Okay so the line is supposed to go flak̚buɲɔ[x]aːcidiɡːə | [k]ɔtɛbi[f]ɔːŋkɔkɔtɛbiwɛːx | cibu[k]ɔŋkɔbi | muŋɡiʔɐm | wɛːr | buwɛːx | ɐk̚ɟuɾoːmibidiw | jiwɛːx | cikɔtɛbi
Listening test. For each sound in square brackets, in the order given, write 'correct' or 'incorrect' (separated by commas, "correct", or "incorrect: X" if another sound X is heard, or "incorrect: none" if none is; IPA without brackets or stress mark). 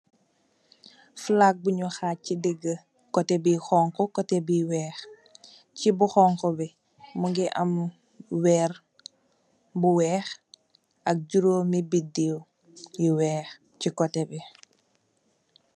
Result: correct, correct, incorrect: x, incorrect: x